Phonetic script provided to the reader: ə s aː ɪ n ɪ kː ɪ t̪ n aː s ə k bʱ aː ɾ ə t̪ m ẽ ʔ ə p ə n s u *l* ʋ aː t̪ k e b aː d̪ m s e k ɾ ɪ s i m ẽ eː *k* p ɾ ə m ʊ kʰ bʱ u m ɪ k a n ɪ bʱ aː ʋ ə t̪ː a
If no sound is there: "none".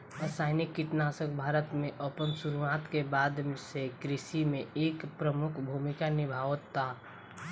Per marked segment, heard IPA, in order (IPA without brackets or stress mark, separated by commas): ɾ, k